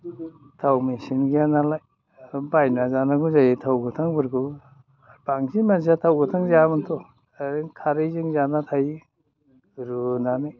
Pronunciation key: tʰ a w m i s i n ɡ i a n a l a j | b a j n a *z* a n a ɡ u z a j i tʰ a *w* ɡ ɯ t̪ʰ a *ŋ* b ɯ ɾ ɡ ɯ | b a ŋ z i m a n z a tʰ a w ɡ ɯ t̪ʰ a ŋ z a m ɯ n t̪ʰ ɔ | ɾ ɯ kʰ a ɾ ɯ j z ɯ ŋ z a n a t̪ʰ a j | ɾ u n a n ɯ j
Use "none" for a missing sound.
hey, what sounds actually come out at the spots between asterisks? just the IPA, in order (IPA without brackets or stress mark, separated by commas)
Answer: z, w, ŋ